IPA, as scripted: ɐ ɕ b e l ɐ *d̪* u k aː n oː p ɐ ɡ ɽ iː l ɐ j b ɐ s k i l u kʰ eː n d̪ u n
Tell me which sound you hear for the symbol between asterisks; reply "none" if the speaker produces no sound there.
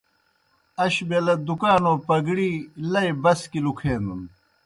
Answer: d̪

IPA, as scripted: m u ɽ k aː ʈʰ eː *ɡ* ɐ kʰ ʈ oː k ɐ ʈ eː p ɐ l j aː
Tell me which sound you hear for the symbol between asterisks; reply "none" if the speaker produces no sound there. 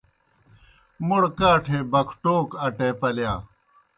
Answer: b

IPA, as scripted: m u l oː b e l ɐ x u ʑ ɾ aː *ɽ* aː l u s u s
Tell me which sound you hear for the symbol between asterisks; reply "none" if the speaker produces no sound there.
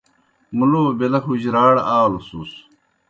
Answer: ɽ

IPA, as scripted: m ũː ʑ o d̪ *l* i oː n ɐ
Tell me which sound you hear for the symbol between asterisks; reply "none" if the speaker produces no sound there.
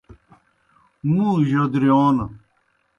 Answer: ɾ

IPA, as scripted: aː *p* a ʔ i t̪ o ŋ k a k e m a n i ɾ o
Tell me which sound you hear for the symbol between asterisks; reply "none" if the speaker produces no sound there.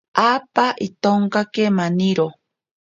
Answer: p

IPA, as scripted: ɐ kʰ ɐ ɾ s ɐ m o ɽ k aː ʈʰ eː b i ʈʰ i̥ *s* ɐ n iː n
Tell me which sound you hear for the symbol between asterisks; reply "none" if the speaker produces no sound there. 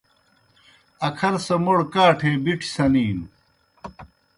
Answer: s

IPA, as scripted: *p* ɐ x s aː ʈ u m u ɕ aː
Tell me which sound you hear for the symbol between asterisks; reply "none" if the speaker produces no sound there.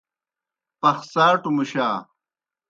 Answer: p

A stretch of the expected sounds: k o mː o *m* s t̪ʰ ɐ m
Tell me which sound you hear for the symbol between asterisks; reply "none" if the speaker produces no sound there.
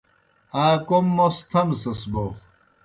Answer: none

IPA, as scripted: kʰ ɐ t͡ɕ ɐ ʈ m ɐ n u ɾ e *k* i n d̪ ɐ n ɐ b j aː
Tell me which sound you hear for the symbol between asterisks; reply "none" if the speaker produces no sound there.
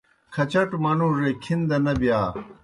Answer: kʰ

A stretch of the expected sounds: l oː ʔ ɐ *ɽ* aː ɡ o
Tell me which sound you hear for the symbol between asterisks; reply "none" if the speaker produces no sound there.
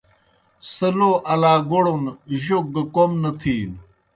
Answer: l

